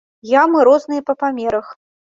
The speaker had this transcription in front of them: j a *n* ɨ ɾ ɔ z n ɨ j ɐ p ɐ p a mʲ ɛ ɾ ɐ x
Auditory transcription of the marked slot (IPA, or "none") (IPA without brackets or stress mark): m